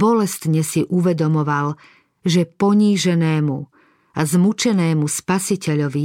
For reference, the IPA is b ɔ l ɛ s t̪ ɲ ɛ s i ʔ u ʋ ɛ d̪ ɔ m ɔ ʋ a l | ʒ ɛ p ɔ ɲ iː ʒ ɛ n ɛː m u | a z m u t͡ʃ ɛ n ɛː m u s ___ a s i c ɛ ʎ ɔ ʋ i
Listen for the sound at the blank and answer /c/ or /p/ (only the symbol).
p